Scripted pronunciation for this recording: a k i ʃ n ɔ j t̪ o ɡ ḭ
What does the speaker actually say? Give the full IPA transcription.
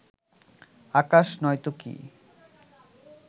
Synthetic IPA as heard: a k a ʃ n ɔ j t̪ o k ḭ